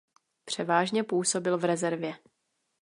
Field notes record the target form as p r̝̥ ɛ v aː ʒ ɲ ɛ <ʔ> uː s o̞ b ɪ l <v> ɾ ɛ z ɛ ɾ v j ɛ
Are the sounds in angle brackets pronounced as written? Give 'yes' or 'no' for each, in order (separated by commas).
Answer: no, yes